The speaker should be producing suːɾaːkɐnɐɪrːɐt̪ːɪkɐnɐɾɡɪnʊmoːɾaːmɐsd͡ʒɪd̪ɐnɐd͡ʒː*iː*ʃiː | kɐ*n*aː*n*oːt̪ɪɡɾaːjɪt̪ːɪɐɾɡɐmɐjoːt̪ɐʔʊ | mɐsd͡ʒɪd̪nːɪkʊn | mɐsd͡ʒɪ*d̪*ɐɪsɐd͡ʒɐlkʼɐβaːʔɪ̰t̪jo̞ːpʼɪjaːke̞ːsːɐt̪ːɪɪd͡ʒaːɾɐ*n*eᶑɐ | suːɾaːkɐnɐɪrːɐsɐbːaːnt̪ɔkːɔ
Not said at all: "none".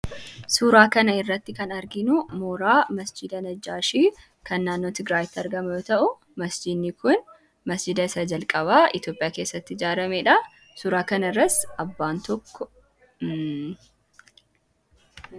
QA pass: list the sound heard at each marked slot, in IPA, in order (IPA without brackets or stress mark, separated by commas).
aː, nː, nː, d̪, m